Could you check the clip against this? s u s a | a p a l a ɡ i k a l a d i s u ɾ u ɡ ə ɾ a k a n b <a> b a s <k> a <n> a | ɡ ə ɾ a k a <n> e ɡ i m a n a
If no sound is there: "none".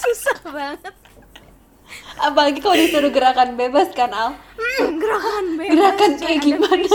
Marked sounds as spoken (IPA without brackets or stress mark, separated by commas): e, k, n, n